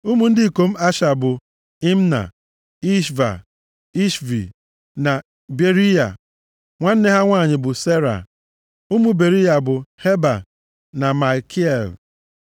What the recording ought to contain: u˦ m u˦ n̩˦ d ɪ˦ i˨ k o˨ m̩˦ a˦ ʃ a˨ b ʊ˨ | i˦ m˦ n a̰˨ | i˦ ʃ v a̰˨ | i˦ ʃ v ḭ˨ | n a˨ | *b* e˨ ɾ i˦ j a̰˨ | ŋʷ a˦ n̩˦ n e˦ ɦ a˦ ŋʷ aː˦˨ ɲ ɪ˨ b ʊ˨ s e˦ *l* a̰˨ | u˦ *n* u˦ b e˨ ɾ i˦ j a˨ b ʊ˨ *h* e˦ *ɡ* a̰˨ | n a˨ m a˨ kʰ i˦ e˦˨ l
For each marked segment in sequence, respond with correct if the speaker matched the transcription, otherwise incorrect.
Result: correct, incorrect, incorrect, correct, incorrect

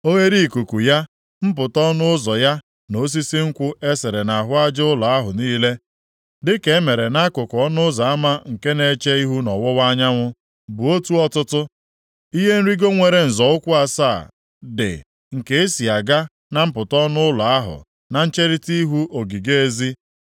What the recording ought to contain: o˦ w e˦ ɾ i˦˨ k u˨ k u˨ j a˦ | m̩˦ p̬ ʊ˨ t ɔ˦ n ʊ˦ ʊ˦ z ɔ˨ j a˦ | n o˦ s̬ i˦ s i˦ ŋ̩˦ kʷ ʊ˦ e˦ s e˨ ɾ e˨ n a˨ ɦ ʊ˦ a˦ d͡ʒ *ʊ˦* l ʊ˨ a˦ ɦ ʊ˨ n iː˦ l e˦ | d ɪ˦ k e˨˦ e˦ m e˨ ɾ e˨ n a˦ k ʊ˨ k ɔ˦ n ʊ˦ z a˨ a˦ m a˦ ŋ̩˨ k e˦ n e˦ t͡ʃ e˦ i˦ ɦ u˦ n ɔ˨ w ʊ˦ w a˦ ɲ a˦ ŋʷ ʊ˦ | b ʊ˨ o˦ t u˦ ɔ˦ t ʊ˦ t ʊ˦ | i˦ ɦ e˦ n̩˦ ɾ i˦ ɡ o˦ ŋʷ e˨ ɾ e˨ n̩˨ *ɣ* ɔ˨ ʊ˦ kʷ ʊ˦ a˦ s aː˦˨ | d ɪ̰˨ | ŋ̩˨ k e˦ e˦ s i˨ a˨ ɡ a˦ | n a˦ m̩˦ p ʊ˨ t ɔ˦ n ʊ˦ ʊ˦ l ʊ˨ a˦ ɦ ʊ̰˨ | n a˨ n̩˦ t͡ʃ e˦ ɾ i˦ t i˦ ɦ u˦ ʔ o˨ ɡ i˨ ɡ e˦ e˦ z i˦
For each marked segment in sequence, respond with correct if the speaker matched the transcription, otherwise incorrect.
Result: correct, incorrect

